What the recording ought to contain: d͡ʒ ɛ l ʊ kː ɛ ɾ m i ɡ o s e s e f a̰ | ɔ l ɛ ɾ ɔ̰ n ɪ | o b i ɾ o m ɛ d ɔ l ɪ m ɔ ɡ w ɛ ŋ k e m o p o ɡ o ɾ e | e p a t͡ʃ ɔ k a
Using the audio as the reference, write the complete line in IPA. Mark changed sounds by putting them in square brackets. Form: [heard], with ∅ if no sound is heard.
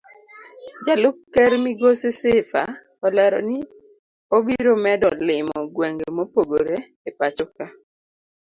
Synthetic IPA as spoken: d͡ʒ [a] l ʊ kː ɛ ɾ m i ɡ o s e s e f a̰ | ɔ l ɛ ɾ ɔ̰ n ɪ | o b i ɾ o m ɛ d ɔ l ɪ m ɔ ɡ w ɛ ŋ [ɡ] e m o p o ɡ o ɾ e | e p a t͡ʃ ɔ k a